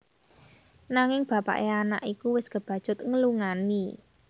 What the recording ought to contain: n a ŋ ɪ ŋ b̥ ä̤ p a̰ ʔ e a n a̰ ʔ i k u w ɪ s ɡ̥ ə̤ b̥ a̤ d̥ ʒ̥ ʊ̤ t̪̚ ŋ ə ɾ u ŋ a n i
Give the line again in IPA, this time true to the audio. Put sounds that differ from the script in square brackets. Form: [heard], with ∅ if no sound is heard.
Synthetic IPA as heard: n a ŋ ɪ ŋ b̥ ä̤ p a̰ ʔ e a n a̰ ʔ i k u w ɪ s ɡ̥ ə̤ b̥ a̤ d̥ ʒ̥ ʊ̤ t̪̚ ŋ ə [l] u ŋ a n i